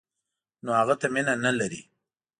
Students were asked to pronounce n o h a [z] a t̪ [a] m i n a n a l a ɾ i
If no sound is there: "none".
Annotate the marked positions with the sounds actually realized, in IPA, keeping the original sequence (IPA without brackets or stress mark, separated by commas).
ɣ, a